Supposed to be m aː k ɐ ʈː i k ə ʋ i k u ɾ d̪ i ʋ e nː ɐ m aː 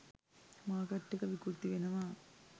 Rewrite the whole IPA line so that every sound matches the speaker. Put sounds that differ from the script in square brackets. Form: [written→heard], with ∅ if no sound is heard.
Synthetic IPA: m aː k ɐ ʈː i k [ə→ɐ] ʋ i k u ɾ [d̪→t̪] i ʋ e [nː→n] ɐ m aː